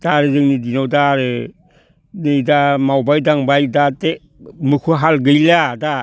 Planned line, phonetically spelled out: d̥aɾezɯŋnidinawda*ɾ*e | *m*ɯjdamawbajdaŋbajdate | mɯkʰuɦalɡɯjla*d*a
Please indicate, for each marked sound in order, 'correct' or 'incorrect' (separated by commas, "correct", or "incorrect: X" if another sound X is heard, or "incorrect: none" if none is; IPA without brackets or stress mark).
correct, incorrect: n, correct